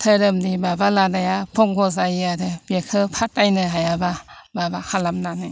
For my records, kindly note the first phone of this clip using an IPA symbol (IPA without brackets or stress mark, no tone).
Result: tʰ